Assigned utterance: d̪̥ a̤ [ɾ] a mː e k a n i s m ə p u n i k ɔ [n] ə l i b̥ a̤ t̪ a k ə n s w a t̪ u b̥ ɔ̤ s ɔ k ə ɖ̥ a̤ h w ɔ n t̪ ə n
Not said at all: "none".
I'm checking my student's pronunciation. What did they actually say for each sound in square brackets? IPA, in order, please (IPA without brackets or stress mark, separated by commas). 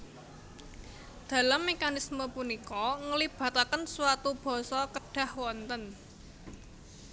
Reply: l, ŋ